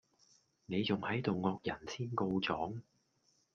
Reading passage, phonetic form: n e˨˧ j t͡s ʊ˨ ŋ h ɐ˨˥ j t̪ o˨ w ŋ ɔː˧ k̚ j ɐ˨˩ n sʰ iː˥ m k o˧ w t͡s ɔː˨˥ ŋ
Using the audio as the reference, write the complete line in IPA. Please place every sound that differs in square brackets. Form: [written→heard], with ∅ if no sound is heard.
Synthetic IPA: n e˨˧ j t͡s ʊ˨ ŋ h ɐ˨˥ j t̪ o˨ w ŋ ɔː˧ k̚ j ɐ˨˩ n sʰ iː˥ [m→n] k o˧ w t͡s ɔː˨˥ ŋ